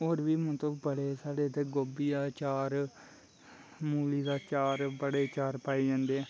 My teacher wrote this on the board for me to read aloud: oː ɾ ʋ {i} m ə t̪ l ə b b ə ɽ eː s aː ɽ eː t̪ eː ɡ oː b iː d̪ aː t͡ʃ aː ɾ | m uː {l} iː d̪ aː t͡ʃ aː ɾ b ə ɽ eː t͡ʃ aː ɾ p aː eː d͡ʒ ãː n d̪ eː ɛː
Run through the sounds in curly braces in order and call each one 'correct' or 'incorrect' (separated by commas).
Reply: incorrect, correct